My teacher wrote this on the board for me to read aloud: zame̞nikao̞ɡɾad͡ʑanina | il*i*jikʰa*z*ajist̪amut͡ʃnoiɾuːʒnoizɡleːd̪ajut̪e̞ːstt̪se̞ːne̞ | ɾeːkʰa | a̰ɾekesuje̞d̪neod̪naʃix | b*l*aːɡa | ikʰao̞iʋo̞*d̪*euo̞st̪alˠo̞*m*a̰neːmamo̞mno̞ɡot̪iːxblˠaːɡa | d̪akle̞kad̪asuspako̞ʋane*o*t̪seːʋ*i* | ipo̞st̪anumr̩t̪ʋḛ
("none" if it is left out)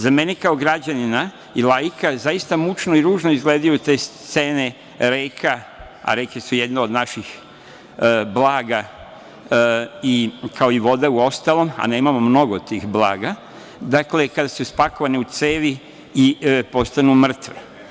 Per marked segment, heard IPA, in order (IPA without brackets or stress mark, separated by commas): a, z, l, d̪, m, u, i